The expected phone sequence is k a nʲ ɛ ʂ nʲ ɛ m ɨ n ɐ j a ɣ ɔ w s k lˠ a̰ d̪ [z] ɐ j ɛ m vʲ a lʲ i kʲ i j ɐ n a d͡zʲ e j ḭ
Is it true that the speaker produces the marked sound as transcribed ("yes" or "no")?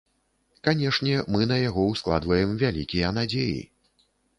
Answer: no